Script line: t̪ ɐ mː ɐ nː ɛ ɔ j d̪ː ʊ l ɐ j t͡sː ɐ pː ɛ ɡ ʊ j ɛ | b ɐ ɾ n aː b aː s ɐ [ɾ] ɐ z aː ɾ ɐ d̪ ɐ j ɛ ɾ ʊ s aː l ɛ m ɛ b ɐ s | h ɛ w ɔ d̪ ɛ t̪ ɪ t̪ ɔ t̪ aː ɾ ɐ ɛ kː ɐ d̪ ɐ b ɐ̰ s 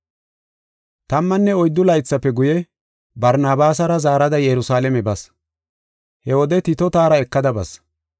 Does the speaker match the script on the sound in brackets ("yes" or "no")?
yes